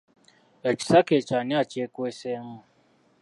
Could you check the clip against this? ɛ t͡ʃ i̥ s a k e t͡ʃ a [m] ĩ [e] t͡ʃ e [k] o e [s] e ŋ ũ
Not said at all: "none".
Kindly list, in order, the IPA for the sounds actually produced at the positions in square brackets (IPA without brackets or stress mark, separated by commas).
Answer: n, a, k, s